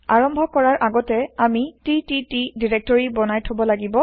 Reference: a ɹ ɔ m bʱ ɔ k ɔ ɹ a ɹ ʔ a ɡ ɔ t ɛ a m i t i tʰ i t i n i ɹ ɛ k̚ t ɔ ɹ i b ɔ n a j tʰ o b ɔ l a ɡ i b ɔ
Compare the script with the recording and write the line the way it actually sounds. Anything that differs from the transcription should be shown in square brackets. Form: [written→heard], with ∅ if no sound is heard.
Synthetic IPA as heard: a ɹ ɔ m bʱ ɔ k ɔ ɹ a ɹ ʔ a ɡ ɔ t ɛ a m i t i [tʰ→t] i t i [n→d] i ɹ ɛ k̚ t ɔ ɹ i b ɔ n a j tʰ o b ɔ l a ɡ i b ɔ